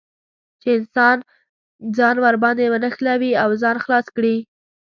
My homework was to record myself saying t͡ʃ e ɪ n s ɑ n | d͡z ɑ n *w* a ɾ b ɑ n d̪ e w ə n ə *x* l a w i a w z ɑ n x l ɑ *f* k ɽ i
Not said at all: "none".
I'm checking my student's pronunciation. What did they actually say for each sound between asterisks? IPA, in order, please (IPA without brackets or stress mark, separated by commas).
w, x, s